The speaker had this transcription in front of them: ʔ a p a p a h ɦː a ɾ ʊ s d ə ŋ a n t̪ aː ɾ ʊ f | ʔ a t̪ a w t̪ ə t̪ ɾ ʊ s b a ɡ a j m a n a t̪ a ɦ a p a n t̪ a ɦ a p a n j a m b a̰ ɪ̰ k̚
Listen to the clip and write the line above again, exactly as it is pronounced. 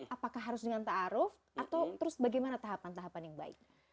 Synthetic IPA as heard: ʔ a p a k a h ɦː a ɾ ʊ s d ə ŋ a n t̪ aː ɾ ʊ f | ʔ a t̪ a w t̪ ə ɾ ʊ s b a ɡ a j m a n a t̪ a ɦ a p a n t̪ a ɦ a p a n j a ŋ b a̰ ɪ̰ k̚